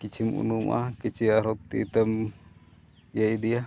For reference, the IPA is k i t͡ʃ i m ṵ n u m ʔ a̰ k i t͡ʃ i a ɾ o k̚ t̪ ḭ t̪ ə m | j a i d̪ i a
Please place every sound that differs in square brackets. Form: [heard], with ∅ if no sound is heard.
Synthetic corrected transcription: k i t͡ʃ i m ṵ n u m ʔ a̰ k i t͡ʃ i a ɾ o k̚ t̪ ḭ t̪ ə m | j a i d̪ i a